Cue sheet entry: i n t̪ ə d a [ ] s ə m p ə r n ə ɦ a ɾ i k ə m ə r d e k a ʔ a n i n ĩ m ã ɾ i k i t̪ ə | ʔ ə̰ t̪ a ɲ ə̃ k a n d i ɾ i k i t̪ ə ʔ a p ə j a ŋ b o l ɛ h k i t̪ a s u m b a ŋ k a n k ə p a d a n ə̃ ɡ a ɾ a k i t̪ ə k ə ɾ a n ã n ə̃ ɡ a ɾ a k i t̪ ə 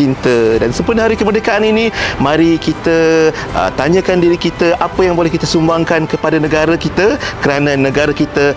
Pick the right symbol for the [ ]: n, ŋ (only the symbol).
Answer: n